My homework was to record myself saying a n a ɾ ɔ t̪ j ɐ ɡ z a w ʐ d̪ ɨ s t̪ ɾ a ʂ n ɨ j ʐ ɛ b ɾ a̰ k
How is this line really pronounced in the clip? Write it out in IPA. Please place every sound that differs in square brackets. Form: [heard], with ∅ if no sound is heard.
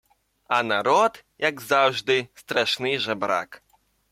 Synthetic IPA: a n a ɾ ɔ t̪ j [a] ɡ z a w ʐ d̪ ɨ s t̪ ɾ a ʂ n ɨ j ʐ ɛ b ɾ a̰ k